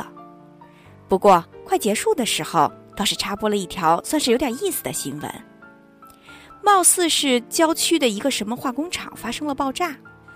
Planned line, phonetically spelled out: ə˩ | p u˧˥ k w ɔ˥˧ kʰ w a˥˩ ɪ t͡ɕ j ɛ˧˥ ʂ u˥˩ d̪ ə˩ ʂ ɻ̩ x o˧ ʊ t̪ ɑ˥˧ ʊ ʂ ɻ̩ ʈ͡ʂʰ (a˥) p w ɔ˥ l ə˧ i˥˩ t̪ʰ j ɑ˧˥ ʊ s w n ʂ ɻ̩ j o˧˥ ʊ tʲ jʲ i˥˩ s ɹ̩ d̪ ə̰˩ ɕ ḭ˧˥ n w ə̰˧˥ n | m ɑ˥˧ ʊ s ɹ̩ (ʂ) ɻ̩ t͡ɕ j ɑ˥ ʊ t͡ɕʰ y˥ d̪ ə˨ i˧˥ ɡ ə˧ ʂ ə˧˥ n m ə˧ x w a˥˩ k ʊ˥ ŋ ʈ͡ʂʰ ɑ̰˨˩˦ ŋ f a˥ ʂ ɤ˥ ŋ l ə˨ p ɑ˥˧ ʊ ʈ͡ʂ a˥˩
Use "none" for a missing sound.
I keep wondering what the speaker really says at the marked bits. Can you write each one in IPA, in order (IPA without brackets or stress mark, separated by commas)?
a˥, ʂ